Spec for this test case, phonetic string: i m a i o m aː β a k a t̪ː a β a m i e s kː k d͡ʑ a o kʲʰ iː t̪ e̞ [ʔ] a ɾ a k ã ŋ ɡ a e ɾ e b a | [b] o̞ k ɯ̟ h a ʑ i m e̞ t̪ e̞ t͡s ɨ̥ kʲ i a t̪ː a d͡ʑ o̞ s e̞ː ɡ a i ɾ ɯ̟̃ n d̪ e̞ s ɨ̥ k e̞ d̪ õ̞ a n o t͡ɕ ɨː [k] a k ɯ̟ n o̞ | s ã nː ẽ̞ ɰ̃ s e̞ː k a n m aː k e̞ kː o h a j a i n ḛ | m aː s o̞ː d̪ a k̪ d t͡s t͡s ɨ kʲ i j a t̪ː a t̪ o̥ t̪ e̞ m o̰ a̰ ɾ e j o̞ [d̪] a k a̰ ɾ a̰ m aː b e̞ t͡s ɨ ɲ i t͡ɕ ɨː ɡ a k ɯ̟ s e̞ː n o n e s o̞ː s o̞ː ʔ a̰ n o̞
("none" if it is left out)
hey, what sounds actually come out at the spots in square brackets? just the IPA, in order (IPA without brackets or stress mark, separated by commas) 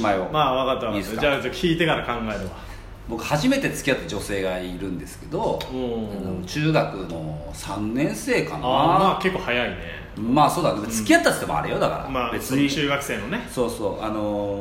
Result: k, b, ɡ, d̪